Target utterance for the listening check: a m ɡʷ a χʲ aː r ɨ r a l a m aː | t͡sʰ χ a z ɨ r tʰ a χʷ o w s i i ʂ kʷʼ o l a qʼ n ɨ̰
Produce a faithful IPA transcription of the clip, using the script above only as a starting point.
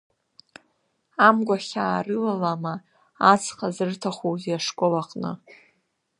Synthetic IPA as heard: a m ɡʷ a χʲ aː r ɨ l a l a m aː | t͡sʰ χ a z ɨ r tʰ a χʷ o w z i a ʂ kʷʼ o l a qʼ n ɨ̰